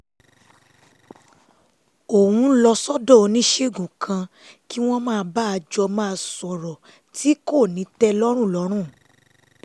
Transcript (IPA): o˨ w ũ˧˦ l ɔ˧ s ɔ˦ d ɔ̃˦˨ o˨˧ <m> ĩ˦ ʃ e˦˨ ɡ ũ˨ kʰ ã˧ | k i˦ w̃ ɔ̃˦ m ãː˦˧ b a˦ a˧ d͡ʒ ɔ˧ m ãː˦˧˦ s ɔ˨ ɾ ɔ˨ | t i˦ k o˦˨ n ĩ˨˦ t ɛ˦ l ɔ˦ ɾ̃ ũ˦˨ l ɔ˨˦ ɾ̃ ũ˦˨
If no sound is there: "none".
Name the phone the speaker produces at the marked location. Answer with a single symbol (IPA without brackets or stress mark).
n